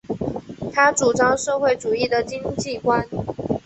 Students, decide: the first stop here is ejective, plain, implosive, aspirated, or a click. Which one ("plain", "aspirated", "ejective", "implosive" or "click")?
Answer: aspirated